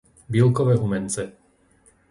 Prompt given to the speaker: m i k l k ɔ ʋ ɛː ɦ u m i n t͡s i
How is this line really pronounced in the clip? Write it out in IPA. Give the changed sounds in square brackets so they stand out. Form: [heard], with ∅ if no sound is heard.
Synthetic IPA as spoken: [b] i [∅] l k ɔ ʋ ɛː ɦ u m [ɛ] n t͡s [ɛ]